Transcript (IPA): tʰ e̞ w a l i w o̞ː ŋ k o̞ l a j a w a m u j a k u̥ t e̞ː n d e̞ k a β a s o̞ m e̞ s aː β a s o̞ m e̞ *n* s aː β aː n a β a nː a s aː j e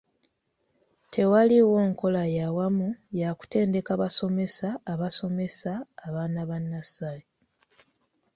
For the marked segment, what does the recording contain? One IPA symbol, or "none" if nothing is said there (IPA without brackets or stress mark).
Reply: none